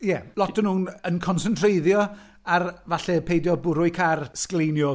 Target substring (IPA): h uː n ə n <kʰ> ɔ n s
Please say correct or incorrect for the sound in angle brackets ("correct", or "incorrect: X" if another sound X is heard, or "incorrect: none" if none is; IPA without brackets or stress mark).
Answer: correct